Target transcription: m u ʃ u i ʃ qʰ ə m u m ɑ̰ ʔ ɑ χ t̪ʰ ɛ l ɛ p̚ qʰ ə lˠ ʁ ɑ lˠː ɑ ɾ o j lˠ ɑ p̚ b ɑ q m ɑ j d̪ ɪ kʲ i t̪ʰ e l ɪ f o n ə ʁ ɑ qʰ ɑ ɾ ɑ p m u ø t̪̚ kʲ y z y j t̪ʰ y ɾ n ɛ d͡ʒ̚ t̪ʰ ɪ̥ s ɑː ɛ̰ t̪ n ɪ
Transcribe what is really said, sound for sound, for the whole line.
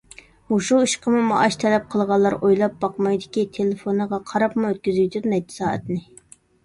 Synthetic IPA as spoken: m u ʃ u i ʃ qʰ ə m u m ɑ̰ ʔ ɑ ʃ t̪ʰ ɛ l ɛ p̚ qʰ ə lˠ ʁ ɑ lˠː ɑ ɾ o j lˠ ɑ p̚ b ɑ q m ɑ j d̪ ɪ kʲ i t̪ʰ e l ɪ f o n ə ʁ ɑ qʰ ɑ ɾ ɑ p m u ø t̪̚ kʲ y z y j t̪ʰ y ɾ n ɛ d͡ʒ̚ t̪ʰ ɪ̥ s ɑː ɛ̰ t̪ n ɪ

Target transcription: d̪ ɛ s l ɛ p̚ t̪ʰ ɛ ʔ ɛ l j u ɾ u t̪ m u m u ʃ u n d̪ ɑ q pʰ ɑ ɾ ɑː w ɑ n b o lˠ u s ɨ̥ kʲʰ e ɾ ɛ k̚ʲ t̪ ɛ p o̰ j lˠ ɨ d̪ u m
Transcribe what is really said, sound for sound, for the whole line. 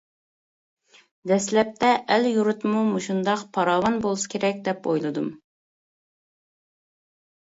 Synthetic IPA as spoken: d̪ ɛ s l ɛ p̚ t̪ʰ ɛ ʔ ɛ l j u ɾ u t̪ m u m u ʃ u n d̪ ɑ q pʰ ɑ ɾ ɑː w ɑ n b o lˠ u s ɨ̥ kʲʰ e ɾ ɛ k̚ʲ d̪ ɛ p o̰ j lˠ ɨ d̪ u m

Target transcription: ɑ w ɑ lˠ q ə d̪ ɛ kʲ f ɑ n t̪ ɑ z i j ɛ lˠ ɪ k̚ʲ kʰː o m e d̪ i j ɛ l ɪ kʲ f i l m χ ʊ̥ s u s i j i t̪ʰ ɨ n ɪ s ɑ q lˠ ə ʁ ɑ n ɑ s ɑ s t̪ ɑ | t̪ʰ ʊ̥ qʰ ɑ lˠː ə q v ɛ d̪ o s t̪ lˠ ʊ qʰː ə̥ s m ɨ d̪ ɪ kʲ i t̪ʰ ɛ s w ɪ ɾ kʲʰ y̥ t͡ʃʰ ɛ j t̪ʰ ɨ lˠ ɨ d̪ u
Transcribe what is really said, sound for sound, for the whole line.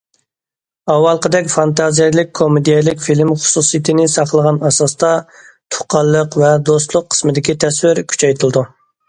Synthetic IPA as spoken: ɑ w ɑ lˠ q ə d̪ ɛ kʲ f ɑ n t̪ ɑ z i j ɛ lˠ ɪ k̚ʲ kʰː o m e d̪ i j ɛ l ɪ kʲ f i l m χ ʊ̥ s u s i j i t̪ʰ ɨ n ɪ s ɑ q lˠ ə ʁ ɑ n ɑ s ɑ s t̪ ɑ | t̪ʰ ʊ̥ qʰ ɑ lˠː ə q v ɛ d̪ o s t̪ lˠ ʊ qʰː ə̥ s m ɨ d̪ ɪ kʲ i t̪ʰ ɛ s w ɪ ɾ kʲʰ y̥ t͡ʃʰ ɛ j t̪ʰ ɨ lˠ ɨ d̪ u

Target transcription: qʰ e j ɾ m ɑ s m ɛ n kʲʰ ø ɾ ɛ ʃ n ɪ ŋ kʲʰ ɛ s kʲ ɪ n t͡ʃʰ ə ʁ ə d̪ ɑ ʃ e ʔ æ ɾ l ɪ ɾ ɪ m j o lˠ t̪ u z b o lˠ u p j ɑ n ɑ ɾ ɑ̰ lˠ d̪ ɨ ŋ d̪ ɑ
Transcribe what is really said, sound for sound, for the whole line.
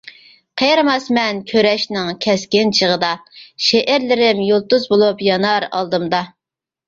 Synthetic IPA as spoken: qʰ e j ɾ m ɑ s m ɛ n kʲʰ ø ɾ ɛ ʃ n ɪ ŋ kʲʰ ɛ s kʲ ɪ n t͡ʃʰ ə ʁ ə d̪ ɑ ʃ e ʔ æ ɾ l ɪ ɾ ɪ m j o lˠ t̪ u z b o lˠ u p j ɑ n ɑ ɾ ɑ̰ lˠ d̪ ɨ m d̪ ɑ

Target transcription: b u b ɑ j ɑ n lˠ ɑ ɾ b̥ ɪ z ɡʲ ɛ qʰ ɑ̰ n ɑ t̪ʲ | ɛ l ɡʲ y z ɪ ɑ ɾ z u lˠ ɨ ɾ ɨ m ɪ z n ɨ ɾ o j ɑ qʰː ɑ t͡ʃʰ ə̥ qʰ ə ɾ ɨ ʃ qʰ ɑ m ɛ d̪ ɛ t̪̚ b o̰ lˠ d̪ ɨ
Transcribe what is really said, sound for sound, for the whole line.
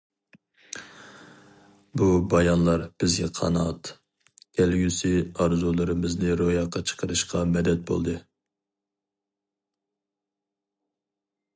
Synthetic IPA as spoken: b u b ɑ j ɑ n lˠ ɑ ɾ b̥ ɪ z ɡʲ ɛ qʰ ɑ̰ n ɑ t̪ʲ | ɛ l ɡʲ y s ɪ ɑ ɾ z u lˠ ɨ ɾ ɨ m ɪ z n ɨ ɾ o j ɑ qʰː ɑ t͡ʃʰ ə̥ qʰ ə ɾ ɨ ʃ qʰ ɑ m ɛ d̪ ɛ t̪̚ b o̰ lˠ d̪ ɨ

